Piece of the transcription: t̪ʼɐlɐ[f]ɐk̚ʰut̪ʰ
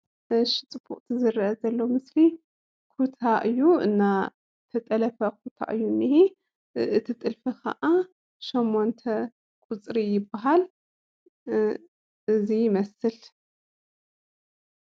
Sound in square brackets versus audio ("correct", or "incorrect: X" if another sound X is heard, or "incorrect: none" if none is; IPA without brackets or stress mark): correct